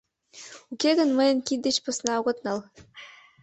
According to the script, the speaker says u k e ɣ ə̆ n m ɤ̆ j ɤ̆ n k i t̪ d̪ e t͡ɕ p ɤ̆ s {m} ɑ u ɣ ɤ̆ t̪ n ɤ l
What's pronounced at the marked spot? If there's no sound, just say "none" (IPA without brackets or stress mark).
n